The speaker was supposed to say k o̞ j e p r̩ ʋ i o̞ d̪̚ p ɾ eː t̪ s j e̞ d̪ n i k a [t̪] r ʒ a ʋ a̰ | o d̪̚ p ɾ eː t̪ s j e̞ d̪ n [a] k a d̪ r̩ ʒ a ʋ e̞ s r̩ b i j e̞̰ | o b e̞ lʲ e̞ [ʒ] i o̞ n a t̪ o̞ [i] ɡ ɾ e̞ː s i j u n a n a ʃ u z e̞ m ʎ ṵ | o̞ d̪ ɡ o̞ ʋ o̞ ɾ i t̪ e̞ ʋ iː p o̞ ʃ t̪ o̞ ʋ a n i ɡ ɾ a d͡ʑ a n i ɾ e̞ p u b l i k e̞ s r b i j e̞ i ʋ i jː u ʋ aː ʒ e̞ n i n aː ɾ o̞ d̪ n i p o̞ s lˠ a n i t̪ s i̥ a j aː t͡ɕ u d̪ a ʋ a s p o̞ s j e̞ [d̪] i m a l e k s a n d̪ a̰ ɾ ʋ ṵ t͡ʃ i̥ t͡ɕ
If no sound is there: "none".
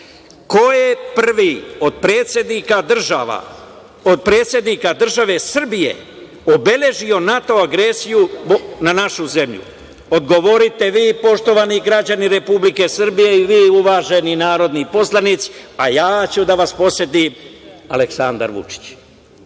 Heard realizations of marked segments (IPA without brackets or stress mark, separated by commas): d̪, i, ʒ, a, t̪